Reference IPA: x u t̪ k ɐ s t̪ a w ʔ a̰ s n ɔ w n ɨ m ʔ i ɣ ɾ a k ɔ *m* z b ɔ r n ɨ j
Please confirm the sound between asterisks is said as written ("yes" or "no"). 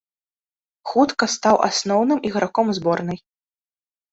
yes